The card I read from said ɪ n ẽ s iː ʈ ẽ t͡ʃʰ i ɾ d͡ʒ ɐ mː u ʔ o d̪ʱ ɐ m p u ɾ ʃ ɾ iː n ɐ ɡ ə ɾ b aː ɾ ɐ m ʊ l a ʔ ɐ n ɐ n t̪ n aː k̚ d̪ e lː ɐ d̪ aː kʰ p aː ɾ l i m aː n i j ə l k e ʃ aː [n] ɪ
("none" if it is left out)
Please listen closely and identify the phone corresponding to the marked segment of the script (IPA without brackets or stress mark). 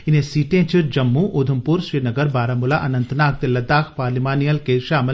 m